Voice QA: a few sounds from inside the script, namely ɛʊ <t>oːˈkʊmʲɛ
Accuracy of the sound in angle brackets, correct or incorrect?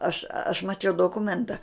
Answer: incorrect